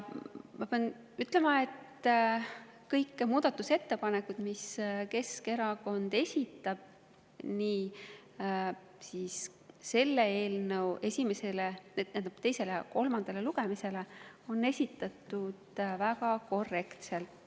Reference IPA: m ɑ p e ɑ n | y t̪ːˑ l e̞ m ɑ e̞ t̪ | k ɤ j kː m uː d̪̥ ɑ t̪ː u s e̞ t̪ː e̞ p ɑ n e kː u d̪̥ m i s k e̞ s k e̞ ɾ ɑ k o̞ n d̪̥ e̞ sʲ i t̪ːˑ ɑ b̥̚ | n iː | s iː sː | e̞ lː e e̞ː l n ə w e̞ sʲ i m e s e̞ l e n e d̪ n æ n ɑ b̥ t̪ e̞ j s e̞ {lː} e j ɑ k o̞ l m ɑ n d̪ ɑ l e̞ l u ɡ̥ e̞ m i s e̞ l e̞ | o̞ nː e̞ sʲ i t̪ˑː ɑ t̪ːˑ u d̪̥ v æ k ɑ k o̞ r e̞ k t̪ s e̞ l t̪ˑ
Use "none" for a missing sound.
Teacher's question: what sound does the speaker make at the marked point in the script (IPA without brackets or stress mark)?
l